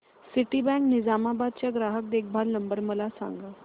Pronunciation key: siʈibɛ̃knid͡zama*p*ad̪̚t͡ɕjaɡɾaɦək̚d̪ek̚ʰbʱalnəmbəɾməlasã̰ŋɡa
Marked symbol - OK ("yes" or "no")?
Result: no